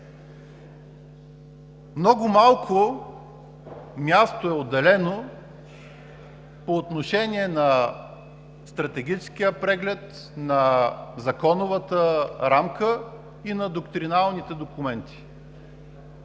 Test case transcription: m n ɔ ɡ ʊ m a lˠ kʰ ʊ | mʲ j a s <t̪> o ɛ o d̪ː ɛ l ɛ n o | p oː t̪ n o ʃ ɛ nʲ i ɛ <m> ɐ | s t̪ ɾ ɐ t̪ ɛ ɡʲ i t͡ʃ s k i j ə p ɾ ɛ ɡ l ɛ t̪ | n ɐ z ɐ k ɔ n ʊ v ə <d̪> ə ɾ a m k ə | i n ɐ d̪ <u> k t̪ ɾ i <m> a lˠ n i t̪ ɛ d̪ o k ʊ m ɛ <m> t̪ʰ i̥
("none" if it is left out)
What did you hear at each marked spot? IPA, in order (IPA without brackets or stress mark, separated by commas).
t̪, n, t̪, o, n, n